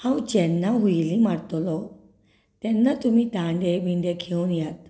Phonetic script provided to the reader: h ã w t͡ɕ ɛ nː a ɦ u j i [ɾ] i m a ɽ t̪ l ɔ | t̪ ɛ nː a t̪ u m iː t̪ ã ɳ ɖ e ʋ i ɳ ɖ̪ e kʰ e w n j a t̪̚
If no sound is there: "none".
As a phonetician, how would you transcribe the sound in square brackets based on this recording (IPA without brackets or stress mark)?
l